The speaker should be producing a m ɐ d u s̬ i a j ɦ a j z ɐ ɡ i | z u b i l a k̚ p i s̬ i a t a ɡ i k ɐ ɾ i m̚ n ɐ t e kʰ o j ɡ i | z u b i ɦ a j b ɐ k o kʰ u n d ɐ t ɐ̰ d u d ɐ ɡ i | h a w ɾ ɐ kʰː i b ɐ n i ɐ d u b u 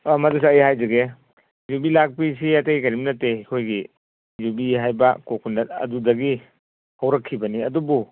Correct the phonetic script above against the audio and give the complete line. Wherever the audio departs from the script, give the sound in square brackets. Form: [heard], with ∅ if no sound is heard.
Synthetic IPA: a m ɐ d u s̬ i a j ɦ a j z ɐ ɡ [e] | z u b i l a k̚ p i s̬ i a t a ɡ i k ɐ ɾ i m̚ n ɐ t e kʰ o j ɡ i | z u b i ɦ a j b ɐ k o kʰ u n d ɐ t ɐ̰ d u d ɐ ɡ i | h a w ɾ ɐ kʰː i b ɐ n i ɐ d u b u